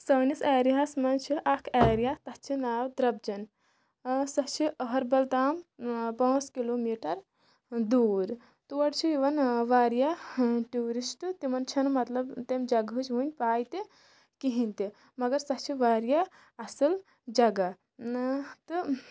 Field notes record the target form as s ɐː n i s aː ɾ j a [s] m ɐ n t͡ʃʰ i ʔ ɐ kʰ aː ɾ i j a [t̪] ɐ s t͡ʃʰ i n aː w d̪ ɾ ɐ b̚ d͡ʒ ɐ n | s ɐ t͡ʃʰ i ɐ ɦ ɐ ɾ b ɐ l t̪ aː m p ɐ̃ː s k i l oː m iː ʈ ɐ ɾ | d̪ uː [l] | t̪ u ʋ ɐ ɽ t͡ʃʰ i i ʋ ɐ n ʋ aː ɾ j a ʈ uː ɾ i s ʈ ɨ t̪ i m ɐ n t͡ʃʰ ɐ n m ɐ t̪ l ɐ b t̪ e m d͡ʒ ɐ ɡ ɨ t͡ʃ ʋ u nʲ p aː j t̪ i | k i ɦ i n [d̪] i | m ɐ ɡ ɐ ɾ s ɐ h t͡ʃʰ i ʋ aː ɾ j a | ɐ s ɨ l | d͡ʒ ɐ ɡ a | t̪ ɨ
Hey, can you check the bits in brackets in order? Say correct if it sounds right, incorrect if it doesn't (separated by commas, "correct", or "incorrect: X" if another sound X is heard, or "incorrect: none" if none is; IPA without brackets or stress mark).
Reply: correct, correct, incorrect: ɾ, incorrect: t̪